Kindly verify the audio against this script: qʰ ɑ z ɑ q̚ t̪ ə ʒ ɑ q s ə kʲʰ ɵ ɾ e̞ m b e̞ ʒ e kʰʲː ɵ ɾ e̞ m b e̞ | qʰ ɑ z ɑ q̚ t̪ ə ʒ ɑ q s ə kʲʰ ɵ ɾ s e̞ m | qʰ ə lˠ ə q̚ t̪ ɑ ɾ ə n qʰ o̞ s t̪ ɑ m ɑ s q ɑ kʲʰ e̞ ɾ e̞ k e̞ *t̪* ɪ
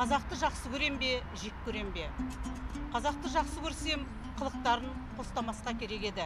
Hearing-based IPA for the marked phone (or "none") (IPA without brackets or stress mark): d̪